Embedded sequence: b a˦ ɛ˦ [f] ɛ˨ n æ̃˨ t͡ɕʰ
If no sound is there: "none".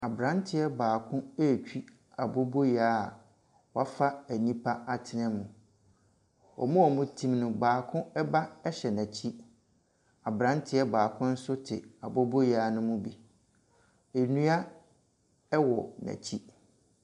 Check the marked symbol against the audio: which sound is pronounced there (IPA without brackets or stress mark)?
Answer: ɕ